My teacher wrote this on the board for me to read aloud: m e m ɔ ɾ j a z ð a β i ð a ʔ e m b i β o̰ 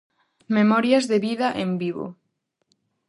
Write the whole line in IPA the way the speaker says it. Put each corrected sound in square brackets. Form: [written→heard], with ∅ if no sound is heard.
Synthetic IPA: m e m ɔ ɾ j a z ð [a→e] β i ð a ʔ e m b i β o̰